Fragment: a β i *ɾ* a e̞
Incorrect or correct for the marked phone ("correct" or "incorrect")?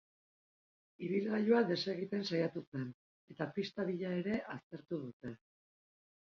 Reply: incorrect